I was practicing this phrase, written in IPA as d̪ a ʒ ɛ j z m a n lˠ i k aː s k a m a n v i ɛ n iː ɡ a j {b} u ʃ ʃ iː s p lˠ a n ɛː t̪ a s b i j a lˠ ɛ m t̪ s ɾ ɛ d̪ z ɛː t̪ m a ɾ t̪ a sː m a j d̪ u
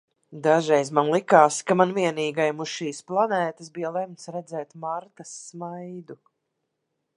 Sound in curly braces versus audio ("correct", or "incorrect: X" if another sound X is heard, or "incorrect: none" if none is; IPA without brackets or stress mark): incorrect: m